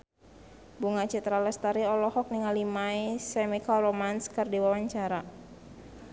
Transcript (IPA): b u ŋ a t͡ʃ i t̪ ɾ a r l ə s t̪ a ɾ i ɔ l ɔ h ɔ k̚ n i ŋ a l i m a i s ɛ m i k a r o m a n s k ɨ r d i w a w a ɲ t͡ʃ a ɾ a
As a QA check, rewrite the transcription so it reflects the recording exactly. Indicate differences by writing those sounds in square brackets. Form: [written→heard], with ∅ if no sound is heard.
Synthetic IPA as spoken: b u ŋ a t͡ʃ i t̪ ɾ a [r→∅] l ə s t̪ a ɾ i ɔ l ɔ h ɔ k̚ n i ŋ a l i m a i s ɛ m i k a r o m a n s k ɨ r d i w a w a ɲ t͡ʃ a ɾ a